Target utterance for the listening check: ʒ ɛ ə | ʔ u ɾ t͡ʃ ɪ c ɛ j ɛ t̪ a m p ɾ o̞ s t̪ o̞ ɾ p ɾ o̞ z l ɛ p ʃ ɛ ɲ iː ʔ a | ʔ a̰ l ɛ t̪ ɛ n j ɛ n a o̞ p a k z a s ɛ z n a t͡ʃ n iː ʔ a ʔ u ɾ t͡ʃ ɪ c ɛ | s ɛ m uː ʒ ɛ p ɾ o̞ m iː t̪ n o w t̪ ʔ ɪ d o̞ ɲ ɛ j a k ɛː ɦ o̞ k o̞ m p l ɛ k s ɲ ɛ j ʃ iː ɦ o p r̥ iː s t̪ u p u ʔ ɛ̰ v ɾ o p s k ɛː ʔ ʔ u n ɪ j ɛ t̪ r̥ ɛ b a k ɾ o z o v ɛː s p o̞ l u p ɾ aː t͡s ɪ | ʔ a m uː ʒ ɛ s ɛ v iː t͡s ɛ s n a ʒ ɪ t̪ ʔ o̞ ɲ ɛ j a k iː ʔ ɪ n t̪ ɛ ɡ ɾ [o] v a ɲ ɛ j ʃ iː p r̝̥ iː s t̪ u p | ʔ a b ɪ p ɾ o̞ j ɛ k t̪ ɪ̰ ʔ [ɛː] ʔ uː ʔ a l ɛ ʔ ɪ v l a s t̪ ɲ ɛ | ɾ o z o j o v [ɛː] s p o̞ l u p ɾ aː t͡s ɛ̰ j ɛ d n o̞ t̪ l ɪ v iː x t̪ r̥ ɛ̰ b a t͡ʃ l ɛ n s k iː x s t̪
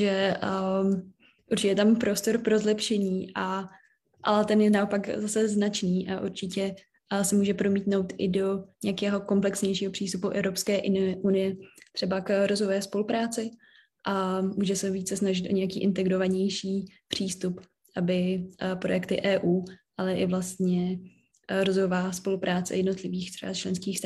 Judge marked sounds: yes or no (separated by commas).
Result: yes, yes, no